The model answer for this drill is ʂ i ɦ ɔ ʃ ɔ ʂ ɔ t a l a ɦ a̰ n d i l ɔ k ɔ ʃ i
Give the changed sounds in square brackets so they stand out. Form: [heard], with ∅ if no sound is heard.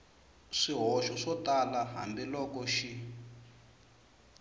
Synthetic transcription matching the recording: ʂ i ɦ ɔ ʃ ɔ ʂ ɔ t a l a ɦ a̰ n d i l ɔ k ɔ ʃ i